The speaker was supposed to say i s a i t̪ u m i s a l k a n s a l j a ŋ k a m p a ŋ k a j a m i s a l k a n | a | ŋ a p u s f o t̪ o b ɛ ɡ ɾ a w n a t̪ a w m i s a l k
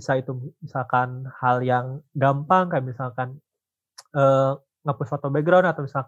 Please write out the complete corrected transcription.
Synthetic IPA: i s a i t̪ u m i s a l k a n h a l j a ŋ ɡ a m p a ŋ k a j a m i s a l k a n | ə | ŋ a p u s f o t̪ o b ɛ ɡ ɾ a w n a t̪ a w m i s a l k